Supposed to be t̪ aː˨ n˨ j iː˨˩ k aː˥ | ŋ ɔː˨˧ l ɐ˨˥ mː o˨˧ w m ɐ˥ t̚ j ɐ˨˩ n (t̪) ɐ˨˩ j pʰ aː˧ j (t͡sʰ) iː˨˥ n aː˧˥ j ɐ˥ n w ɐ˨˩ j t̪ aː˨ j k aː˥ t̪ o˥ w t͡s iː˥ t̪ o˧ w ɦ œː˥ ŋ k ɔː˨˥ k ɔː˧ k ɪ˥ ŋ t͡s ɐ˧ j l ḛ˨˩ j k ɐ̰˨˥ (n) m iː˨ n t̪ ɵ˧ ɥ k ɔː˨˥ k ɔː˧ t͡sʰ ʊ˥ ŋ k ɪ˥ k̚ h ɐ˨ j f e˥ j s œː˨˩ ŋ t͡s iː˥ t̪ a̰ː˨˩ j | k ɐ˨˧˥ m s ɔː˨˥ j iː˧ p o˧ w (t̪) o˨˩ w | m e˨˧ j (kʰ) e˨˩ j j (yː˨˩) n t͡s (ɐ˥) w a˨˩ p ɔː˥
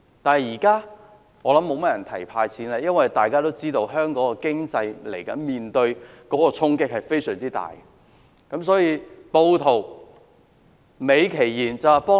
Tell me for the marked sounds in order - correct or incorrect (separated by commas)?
incorrect, correct, correct, incorrect, correct, incorrect, incorrect